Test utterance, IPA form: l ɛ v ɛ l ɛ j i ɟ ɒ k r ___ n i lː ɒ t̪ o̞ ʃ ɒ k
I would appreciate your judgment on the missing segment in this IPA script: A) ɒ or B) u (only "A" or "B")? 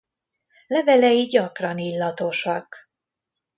A